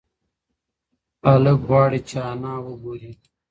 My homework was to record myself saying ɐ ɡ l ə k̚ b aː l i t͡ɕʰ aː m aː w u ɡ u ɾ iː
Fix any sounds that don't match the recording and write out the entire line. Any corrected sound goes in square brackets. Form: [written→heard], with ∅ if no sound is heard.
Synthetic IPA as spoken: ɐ [ɡ→∅] l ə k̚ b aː [l→ɽ] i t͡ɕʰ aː [m→n] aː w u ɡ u ɾ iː